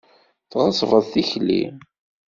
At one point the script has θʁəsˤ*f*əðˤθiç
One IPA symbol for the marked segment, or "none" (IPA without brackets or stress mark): v